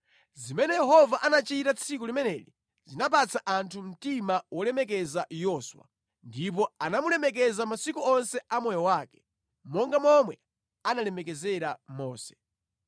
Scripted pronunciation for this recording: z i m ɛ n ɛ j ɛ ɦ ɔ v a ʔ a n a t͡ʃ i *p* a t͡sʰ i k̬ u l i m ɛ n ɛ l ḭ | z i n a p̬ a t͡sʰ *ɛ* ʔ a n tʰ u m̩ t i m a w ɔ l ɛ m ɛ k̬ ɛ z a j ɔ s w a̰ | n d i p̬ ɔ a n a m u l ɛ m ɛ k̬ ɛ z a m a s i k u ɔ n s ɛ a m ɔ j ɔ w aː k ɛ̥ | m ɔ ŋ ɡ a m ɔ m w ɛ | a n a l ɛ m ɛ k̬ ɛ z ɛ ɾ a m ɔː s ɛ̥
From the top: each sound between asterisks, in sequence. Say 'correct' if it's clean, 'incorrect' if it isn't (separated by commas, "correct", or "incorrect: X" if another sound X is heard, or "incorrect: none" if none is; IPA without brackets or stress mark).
incorrect: t, incorrect: a